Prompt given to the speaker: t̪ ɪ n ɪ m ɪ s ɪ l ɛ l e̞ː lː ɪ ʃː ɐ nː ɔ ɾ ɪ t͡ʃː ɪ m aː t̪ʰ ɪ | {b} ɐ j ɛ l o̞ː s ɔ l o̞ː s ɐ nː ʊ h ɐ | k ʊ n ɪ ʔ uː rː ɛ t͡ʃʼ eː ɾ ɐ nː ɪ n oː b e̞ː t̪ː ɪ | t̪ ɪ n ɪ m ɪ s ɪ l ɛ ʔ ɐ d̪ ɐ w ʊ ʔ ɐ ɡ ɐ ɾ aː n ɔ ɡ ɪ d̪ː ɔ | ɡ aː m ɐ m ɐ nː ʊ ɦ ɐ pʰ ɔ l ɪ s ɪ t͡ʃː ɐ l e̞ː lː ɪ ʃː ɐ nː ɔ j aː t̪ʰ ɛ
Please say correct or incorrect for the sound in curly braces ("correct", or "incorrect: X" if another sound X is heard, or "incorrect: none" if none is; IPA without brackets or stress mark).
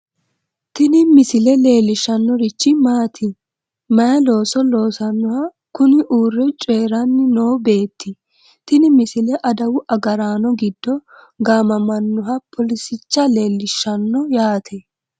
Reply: incorrect: m